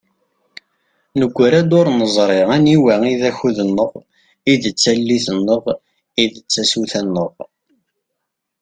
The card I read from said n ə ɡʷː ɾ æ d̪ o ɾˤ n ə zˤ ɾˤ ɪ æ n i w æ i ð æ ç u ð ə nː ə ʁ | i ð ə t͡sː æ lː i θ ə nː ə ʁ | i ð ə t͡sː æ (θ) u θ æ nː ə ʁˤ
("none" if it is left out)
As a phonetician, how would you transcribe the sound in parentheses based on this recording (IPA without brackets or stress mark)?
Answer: s